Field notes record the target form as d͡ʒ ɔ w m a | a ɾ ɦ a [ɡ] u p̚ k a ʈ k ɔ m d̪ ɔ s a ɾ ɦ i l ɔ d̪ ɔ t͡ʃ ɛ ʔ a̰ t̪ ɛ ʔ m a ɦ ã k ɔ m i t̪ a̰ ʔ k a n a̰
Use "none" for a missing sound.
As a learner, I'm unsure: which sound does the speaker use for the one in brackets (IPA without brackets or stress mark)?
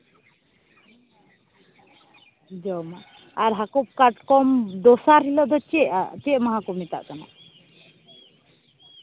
k